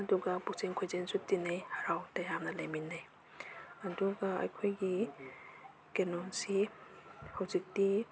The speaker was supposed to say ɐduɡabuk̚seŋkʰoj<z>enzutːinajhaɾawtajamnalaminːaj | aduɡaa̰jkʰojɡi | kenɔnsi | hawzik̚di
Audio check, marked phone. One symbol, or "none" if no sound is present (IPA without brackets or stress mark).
z